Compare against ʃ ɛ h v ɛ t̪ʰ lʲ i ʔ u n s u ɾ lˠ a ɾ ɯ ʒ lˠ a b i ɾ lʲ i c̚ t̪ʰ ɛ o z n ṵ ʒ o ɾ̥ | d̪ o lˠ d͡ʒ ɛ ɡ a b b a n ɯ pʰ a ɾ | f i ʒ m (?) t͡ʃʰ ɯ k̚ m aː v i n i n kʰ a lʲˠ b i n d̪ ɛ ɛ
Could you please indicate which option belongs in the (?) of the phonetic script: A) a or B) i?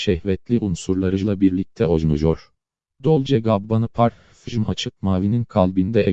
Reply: A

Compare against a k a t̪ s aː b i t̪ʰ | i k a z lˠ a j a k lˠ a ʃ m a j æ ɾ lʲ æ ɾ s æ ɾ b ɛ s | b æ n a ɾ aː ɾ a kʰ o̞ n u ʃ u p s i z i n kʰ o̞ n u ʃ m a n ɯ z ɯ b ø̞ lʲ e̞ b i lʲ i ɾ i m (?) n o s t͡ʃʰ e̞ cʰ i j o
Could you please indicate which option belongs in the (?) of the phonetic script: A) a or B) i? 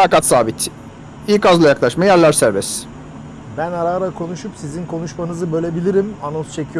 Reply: A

